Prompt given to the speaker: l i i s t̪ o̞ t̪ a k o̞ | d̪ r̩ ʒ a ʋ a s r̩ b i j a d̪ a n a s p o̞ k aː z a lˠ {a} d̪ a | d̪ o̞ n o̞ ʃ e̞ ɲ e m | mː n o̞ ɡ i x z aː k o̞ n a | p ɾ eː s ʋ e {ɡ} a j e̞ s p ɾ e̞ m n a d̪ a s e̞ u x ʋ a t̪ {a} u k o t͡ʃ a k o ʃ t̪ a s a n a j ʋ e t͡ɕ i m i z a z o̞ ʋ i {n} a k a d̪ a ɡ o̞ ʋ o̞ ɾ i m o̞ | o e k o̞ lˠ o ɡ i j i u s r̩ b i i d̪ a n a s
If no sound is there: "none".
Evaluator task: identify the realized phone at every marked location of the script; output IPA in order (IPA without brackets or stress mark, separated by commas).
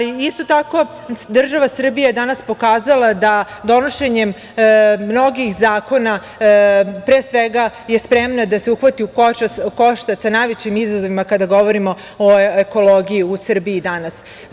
a, ɡ, i, m